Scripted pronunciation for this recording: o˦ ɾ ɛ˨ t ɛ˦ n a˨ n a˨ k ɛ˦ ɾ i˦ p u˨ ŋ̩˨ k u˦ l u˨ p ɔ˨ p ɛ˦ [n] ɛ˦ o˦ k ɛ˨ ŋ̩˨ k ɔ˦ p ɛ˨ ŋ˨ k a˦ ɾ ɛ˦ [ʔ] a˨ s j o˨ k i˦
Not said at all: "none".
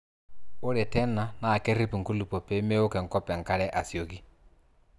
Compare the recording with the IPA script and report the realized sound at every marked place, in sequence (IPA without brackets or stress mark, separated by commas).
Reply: m, ʔ